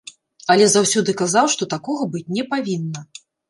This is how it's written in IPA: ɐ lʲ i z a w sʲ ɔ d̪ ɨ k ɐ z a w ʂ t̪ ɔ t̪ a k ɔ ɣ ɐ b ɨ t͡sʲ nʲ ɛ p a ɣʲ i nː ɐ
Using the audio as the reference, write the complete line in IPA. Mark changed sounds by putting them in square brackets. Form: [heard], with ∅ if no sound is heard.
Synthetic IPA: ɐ lʲ [ɛ] z a w sʲ ɔ d̪ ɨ k [a] z a w ʂ t̪ ɔ t̪ a k ɔ ɣ ɐ b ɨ t͡sʲ nʲ ɛ p a [vʲ] i nː ɐ